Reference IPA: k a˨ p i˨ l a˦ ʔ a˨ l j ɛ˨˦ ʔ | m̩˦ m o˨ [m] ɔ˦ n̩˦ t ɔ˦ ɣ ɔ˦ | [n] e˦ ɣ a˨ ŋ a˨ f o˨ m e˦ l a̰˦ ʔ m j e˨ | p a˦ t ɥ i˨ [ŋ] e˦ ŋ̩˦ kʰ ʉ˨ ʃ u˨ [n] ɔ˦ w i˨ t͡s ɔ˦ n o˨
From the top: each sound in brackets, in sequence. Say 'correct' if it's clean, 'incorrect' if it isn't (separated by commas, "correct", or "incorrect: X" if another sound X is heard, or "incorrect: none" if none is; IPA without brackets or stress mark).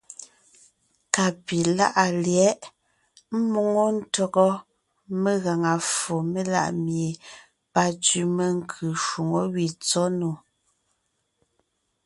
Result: incorrect: ŋ, incorrect: m, incorrect: m, incorrect: ŋ